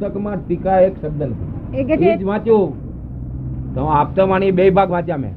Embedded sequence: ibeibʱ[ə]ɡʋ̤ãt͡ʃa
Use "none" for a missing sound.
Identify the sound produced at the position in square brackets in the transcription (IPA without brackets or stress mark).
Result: a